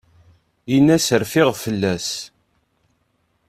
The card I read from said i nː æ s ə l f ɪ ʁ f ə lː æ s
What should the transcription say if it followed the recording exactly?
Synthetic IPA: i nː æ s ə ɾ f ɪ ʁ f ə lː æ s